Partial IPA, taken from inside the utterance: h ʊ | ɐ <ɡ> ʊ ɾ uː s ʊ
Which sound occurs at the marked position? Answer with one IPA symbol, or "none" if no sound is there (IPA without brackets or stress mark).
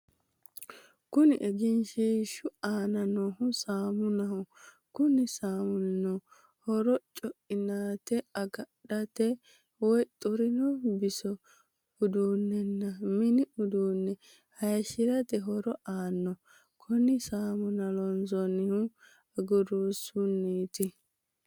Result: ɡ